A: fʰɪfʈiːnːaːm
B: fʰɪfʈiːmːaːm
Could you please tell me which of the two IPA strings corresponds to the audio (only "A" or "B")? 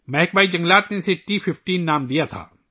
A